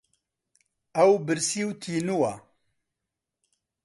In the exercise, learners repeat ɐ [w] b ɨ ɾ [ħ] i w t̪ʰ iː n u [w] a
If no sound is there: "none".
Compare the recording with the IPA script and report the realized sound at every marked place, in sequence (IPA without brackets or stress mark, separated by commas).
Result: w, s, w